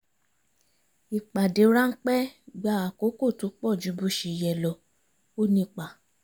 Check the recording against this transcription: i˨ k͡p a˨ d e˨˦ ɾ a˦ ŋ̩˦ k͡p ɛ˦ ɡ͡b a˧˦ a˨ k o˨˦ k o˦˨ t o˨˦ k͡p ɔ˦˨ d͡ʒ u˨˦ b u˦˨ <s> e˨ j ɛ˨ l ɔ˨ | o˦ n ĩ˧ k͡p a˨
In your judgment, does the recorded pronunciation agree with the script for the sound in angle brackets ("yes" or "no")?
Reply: no